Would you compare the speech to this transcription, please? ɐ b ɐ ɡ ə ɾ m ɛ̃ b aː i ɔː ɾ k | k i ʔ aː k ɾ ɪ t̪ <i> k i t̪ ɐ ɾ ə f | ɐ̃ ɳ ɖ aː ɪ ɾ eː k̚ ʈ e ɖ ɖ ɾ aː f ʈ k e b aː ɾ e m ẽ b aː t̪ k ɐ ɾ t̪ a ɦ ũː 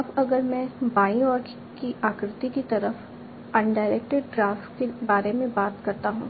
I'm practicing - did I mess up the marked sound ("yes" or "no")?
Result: no